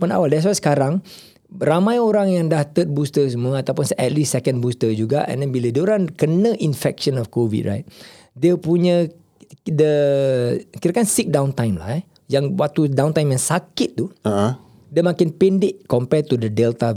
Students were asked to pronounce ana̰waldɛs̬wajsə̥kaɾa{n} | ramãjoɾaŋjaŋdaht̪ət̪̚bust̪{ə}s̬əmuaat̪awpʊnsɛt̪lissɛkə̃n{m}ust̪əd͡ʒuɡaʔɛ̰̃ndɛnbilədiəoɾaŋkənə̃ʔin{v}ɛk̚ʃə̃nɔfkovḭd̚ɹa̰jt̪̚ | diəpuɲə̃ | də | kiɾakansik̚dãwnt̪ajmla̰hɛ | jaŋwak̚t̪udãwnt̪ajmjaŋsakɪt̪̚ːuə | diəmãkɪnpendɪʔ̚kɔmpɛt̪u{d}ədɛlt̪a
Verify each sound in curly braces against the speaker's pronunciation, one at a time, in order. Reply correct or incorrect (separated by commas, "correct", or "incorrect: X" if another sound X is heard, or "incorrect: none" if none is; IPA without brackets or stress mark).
incorrect: ŋ, correct, incorrect: b, incorrect: f, correct